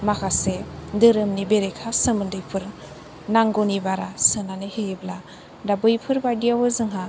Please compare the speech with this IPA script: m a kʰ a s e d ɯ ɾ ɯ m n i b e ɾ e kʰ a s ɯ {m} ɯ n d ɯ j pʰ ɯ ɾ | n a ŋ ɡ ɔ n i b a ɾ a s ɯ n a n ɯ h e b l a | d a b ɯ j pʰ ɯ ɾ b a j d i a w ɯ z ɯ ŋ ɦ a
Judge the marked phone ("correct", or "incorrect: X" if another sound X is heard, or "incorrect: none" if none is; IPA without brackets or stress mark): correct